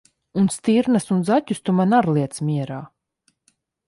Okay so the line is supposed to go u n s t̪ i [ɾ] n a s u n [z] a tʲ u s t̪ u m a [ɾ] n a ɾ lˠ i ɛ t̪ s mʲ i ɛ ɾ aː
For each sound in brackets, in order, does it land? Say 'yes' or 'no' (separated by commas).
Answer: yes, yes, no